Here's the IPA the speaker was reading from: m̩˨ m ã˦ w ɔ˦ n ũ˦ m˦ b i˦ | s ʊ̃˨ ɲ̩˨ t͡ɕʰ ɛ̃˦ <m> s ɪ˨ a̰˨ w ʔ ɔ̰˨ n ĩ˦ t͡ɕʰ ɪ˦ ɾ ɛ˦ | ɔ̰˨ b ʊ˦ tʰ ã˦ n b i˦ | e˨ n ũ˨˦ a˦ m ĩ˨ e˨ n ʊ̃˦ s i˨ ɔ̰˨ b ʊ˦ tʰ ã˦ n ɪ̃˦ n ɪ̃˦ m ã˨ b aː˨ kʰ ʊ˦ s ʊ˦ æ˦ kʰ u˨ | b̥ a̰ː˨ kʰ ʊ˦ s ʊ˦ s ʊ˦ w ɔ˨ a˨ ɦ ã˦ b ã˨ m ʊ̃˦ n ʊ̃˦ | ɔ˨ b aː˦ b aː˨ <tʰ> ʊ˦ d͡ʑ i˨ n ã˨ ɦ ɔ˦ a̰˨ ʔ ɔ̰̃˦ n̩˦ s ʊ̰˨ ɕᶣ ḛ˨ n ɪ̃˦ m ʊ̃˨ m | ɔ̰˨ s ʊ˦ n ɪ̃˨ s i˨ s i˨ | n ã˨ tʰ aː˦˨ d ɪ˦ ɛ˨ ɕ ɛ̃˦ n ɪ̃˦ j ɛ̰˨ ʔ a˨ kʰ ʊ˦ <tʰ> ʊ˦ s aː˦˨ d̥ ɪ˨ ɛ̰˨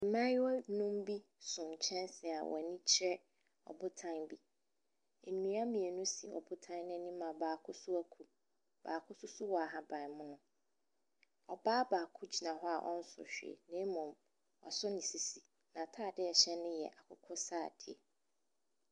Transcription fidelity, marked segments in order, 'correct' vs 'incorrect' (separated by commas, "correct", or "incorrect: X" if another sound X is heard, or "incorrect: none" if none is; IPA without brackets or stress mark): incorrect: n, incorrect: kʰ, incorrect: kʰ